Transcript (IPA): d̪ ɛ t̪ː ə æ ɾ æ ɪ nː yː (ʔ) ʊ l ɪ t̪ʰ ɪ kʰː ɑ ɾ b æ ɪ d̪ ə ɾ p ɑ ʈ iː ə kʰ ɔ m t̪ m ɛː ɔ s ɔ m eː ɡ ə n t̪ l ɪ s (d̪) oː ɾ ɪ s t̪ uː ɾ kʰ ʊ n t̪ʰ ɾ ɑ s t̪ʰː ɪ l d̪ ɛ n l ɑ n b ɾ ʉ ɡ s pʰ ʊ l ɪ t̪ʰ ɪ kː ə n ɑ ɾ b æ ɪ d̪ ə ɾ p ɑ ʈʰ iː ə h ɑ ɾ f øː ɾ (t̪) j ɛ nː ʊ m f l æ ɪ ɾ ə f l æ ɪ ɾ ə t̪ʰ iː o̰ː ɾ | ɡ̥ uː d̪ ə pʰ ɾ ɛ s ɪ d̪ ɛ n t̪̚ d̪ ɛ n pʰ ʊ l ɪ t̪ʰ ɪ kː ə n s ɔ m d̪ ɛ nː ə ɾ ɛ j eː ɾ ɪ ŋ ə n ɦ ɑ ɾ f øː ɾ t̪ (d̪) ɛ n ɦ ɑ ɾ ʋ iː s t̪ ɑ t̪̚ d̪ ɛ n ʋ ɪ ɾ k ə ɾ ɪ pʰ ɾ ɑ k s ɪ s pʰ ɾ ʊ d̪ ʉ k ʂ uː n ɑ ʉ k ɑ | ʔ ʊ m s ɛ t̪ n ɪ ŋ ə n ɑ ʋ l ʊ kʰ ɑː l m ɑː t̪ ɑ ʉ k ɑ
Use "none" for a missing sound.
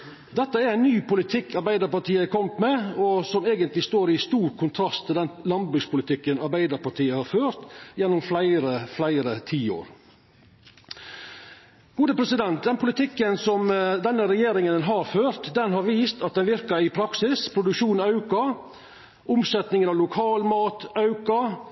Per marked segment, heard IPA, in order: p, t̪, t̪, d̪

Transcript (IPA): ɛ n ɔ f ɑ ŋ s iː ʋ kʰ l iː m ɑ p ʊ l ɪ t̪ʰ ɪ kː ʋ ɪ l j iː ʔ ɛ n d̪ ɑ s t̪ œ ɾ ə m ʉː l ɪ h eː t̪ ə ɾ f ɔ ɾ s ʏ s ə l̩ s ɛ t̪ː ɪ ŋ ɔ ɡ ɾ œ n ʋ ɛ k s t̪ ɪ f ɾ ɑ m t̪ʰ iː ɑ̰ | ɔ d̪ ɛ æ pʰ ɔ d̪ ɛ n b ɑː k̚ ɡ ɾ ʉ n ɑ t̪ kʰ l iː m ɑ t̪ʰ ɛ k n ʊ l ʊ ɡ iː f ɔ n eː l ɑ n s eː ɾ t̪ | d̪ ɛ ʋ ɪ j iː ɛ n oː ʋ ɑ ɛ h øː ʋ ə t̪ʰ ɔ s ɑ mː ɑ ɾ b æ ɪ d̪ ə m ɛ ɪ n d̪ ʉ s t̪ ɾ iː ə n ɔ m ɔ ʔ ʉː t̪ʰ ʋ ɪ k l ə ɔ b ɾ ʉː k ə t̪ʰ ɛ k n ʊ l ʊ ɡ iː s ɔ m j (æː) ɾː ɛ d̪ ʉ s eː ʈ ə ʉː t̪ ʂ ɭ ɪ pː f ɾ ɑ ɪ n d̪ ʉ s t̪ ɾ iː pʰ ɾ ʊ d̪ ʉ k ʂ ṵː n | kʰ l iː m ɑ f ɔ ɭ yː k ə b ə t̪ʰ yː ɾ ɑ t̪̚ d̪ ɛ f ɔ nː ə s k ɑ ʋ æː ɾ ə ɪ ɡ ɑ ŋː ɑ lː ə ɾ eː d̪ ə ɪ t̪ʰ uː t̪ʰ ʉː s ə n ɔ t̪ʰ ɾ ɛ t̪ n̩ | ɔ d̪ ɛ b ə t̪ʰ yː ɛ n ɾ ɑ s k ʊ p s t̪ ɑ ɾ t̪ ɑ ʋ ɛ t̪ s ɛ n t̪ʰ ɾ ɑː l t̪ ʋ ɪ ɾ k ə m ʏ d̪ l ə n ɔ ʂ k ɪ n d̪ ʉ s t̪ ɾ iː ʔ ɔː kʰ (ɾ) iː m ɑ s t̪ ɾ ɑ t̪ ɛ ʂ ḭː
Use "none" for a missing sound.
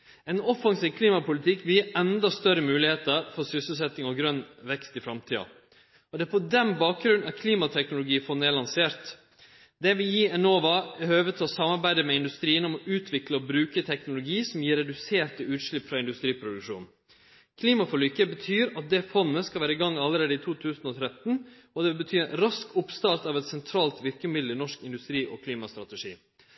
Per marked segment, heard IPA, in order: iː, l

